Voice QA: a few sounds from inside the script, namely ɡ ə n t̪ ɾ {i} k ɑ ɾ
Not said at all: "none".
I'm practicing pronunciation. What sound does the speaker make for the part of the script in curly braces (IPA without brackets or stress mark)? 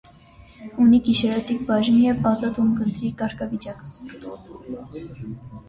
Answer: i